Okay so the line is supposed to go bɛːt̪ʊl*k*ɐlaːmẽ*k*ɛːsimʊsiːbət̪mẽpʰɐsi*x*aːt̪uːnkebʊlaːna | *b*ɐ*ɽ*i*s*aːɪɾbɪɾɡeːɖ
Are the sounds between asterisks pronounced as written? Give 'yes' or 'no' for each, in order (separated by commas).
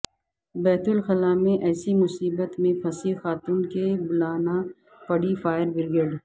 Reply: no, no, yes, no, yes, no